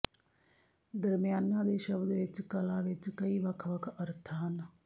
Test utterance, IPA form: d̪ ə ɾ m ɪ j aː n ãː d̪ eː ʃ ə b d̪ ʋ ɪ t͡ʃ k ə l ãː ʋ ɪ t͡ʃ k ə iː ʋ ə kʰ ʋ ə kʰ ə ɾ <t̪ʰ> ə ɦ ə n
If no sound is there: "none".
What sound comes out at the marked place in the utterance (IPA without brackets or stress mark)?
t̪ʰ